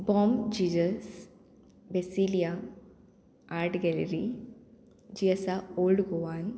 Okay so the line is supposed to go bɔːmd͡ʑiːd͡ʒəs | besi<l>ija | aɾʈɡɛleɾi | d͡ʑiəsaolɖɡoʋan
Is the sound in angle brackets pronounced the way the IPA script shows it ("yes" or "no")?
yes